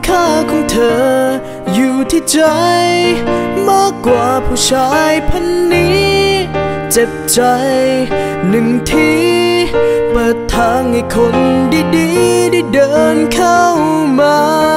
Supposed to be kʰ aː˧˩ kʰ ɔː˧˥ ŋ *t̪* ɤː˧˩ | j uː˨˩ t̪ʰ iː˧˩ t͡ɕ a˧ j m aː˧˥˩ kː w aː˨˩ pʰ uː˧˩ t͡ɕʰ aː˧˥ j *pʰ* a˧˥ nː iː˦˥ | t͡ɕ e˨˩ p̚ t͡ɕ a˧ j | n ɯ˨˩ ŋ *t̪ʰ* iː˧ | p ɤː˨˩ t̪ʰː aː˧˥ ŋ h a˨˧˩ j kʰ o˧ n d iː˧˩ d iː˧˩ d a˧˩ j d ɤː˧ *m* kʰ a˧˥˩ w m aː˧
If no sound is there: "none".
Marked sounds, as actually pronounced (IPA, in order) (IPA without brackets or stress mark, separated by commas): t̪ʰ, pʰ, t̪ʰ, n